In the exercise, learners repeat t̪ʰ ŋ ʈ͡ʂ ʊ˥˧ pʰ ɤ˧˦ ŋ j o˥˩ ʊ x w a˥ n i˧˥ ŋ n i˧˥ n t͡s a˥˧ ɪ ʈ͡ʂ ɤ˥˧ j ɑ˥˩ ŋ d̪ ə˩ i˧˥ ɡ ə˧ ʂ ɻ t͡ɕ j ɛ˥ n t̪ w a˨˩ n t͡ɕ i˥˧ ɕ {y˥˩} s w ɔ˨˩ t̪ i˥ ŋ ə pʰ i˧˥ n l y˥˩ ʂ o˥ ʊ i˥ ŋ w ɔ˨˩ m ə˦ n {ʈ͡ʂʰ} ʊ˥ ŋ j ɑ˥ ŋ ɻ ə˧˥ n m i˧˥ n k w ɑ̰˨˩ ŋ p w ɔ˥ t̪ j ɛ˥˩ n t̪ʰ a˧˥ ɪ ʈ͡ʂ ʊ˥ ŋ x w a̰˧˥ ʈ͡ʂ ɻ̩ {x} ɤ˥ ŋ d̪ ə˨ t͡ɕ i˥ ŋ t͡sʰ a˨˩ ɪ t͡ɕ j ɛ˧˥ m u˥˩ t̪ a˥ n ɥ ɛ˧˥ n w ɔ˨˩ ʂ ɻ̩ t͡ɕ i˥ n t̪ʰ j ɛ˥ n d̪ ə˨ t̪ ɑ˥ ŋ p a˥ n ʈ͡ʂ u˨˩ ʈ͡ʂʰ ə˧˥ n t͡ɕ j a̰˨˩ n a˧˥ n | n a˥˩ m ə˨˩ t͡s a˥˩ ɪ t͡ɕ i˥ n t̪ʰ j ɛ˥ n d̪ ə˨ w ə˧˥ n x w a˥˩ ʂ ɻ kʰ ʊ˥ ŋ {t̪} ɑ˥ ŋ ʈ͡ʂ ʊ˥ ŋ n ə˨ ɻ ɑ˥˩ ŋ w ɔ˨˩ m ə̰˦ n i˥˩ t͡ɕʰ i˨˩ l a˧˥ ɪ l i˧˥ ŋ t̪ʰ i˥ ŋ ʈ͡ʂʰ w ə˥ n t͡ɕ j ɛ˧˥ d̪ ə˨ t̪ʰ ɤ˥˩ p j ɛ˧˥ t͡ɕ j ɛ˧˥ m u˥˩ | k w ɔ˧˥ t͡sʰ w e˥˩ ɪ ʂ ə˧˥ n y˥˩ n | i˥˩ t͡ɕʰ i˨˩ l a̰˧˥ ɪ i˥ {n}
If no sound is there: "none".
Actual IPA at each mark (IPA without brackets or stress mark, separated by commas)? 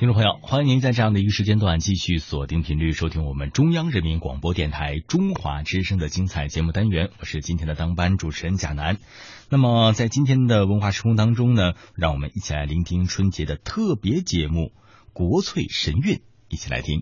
y˥˩, ʈ͡ʂ, ʂ, t̪, ŋ